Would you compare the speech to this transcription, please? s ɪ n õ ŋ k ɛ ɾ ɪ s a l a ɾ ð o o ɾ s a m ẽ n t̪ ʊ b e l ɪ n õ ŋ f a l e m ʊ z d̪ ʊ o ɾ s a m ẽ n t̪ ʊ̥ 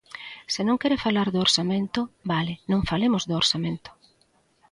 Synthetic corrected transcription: s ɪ n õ ŋ k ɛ ɾ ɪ f a l a ɾ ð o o ɾ s a m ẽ n t̪ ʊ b a l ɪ n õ ŋ f a l e m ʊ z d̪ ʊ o ɾ s a m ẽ n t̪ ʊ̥